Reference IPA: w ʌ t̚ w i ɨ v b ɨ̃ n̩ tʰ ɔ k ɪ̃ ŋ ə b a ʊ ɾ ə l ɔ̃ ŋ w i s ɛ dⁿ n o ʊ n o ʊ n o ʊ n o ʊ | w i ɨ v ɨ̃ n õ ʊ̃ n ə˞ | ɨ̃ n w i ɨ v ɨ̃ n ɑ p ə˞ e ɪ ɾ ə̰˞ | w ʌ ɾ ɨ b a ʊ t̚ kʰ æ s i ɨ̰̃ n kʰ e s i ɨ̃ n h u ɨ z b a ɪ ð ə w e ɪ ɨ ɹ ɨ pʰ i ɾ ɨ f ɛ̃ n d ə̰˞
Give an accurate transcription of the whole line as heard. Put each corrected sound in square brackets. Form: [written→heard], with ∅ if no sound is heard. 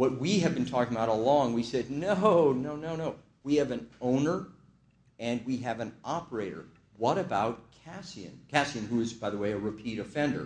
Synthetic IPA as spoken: w ʌ t̚ w i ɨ v b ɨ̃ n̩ tʰ ɔ k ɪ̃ ŋ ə b a ʊ ɾ ə l ɔ̃ ŋ w i s ɛ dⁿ n o ʊ n o ʊ n o ʊ n o ʊ | w i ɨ v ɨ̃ n õ ʊ̃ n ə˞ | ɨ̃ n w i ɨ v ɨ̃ n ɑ p ə˞ e ɪ ɾ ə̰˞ | w ʌ ɾ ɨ b a ʊ t̚ kʰ æ s i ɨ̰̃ n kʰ [e→æ] s i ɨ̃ n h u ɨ z b a ɪ ð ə w e ɪ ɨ ɹ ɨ pʰ i ɾ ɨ f ɛ̃ n d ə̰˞

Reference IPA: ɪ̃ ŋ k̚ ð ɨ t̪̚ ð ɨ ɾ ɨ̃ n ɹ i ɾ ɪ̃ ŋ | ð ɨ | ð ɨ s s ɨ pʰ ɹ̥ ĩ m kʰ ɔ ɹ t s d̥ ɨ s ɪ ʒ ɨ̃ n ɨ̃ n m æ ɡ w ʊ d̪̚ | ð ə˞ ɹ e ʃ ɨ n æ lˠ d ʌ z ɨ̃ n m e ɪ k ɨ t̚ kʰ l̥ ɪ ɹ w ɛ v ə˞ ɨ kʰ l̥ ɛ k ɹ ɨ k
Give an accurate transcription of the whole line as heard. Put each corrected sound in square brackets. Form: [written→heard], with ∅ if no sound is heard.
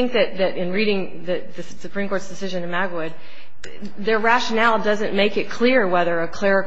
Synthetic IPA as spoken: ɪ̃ ŋ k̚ ð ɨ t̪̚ ð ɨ ɾ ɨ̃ n ɹ i ɾ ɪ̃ ŋ | ð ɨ | ð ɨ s s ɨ pʰ ɹ̥ ĩ m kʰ ɔ ɹ t s d̥ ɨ s ɪ ʒ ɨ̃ n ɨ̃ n m æ ɡ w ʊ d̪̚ | ð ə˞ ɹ [e→æ] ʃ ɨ n æ lˠ d ʌ z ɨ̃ n m e ɪ k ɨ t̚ kʰ l̥ ɪ ɹ w ɛ [v→ð] ə˞ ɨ kʰ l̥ ɛ [k→∅] ɹ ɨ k

